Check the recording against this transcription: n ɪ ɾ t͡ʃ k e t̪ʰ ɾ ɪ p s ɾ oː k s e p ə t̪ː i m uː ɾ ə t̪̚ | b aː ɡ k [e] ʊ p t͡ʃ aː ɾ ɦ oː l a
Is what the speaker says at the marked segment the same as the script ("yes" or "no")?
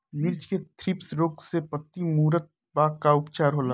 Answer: no